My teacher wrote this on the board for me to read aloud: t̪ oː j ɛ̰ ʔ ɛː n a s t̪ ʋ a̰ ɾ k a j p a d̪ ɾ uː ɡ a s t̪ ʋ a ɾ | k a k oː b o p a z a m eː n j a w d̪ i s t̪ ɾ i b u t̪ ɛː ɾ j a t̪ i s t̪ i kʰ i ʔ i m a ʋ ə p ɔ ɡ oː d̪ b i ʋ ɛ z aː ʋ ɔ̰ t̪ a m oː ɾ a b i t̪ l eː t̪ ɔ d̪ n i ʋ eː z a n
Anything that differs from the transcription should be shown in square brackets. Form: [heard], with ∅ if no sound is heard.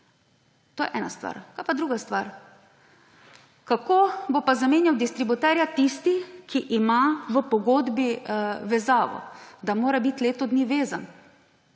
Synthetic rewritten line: t̪ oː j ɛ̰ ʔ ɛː n a s t̪ ʋ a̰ ɾ k a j p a d̪ ɾ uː ɡ a s t̪ ʋ a ɾ | k a k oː b o p a z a m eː n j a w d̪ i s t̪ ɾ i b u t̪ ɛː ɾ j a t̪ i s t̪ i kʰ i ʔ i m a ʋ ə p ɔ ɡ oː d̪ b i ʋ ɛ z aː ʋ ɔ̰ [d̪] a m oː ɾ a b i t̪ l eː t̪ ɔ d̪ n i ʋ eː z a n

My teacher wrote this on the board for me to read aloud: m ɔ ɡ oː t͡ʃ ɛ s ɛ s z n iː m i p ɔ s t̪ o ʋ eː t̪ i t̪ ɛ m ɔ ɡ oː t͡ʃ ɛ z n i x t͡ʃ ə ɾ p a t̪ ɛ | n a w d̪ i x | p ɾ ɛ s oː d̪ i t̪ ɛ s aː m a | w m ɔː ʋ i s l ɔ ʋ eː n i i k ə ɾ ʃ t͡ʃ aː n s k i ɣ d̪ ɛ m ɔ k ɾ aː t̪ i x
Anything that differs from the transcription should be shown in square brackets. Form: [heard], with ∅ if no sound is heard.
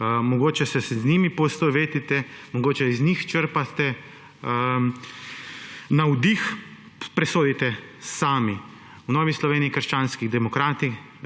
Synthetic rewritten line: m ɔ ɡ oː t͡ʃ ɛ s ɛ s z n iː m i p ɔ s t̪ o ʋ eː t̪ i t̪ ɛ m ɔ ɡ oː t͡ʃ ɛ z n i x t͡ʃ ə ɾ p a t̪ ɛ | n a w d̪ i x | p ɾ ɛ s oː d̪ i t̪ ɛ s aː m [i] | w [n] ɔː ʋ i s l ɔ ʋ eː n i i k ə ɾ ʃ t͡ʃ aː n s k i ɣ d̪ ɛ m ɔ k ɾ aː t̪ i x

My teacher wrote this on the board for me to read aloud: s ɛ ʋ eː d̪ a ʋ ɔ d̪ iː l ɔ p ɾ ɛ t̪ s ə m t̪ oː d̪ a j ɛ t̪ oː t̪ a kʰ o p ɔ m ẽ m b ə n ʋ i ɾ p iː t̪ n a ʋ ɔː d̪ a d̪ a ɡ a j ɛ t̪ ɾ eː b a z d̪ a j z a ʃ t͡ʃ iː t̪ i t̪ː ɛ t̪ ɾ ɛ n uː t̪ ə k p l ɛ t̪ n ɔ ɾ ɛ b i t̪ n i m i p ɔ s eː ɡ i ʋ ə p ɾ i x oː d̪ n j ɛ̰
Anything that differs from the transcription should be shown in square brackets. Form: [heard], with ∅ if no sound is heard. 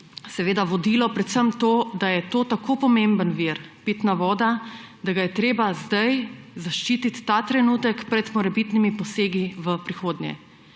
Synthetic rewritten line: s ɛ ʋ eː d̪ a ʋ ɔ d̪ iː l ɔ p ɾ ɛ t̪ s ə m t̪ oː d̪ a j ɛ t̪ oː t̪ a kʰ o p ɔ m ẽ m b ə n ʋ i ɾ p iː t̪ n a ʋ ɔː d̪ a d̪ a ɡ a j ɛ t̪ ɾ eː b a z d̪ a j z a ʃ t͡ʃ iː t̪ i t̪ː [a] t̪ ɾ ɛ n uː t̪ ə k p [ɾ] ɛ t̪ [m] ɔ ɾ ɛ b i t̪ n i m i p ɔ s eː ɡ i ʋ ə p ɾ i x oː d̪ n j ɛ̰

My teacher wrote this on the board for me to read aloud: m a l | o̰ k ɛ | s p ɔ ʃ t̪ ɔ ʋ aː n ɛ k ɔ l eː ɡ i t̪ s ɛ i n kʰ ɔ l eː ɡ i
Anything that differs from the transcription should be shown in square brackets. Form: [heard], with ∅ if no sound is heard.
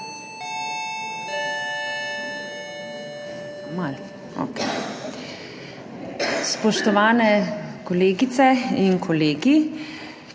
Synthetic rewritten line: m a l | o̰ k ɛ | s p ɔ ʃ t̪ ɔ ʋ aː n ɛ k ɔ l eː ɡ i t̪ s ɛ i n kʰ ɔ l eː ɡ i

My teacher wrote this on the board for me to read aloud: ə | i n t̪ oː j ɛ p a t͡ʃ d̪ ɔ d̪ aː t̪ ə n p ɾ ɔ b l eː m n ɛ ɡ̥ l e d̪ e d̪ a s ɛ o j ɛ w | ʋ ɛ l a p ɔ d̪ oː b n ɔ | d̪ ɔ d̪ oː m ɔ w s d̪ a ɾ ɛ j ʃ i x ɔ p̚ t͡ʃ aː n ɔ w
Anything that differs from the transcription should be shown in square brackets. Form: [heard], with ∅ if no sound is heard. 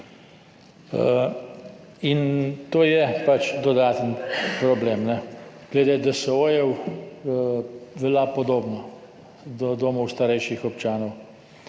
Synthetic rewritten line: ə | i n t̪ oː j ɛ p a t͡ʃ d̪ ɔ d̪ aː t̪ ə n p ɾ ɔ b l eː m n ɛ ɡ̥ l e d̪ e d̪ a s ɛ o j ɛ w | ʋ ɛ l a p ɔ d̪ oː b n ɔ | d̪ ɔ d̪ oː m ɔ w s [t̪] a ɾ ɛ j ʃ i x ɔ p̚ t͡ʃ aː n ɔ w

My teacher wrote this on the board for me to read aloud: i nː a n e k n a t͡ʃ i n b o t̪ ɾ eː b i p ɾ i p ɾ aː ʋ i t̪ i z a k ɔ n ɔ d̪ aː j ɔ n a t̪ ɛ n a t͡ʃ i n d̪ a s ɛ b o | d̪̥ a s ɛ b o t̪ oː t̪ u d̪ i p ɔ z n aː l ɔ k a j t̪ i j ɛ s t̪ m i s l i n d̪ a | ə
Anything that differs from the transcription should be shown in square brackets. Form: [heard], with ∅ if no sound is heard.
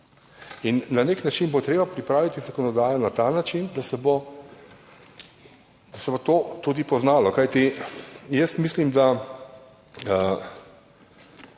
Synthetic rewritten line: i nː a n e k n a t͡ʃ i n b o t̪ ɾ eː b [a] p ɾ i p ɾ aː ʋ i t̪ i z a k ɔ n ɔ d̪ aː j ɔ n a t̪ [a] n a t͡ʃ i n d̪ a s ɛ b o | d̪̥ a s ɛ b o t̪ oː t̪ u d̪ i p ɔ z n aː l ɔ k a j t̪ i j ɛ s t̪ m i s l i [m] d̪ a | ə

